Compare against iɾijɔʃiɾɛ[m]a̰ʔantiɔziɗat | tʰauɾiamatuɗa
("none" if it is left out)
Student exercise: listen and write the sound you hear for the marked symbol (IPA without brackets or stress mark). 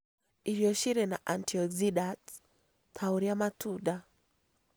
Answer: n